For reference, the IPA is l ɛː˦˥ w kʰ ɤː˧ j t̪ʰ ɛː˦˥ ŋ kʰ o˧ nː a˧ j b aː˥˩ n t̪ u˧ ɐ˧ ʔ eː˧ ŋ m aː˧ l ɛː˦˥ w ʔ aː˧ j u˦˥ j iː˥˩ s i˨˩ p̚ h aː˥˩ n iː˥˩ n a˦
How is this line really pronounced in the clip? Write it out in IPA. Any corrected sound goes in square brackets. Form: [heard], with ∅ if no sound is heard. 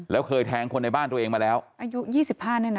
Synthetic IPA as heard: l ɛː˦˥ w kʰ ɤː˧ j t̪ʰ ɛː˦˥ ŋ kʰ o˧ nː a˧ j b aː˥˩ n t̪ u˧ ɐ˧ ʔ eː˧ ŋ m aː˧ l ɛː˦˥ w ʔ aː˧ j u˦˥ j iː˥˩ s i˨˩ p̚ h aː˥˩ n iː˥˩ n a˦